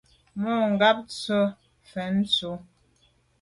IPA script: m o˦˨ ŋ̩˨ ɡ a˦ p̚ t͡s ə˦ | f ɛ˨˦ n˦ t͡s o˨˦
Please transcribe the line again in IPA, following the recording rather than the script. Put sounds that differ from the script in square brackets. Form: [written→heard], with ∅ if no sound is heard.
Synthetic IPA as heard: m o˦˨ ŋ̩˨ ɡ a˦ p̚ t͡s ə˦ | f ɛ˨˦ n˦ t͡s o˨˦